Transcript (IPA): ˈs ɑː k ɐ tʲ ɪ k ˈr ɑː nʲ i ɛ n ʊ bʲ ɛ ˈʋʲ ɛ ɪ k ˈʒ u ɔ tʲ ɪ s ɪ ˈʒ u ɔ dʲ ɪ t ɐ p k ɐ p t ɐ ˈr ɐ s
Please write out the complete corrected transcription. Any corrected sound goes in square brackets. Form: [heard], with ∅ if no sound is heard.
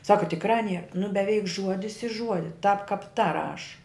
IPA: ˈs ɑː k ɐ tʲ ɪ k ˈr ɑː nʲ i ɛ n ʊ bʲ ɛ ˈʋʲ ɛ ɪ k ˈʒ u ɔ [dʲ] ɪ s ɪ ˈʒ u ɔ dʲ ɪ t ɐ p k ɐ p t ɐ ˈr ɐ [ʃ]